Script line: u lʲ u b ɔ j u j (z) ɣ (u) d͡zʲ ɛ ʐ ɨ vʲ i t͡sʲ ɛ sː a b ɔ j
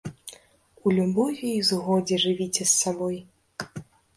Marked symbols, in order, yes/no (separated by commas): yes, no